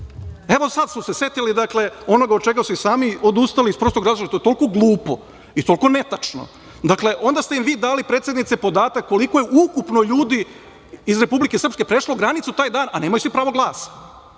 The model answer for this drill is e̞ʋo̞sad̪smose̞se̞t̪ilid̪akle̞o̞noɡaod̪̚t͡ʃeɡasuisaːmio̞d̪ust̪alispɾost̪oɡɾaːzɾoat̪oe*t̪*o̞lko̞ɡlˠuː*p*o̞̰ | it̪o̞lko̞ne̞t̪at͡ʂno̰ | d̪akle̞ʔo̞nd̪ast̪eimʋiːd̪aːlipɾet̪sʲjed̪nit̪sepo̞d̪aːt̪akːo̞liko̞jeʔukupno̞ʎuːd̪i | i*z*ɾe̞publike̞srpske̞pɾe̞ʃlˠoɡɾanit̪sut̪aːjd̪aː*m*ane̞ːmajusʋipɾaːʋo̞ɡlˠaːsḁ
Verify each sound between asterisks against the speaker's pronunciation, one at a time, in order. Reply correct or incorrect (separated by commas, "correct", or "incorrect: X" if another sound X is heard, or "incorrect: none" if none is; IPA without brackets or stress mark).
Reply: correct, correct, correct, incorrect: n